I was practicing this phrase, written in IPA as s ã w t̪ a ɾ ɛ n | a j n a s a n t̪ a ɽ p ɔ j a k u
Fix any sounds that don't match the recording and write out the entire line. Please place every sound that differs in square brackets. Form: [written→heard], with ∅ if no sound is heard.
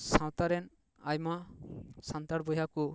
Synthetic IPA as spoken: s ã w t̪ a ɾ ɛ n | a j [n→m] a s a n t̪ a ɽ [p→b] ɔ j a k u